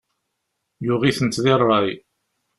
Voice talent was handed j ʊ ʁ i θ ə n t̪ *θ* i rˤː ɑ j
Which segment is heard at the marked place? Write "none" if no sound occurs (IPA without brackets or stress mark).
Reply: ð